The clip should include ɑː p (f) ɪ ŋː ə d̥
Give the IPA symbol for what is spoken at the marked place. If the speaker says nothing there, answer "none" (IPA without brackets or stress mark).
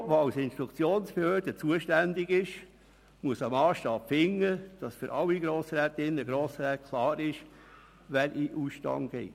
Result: f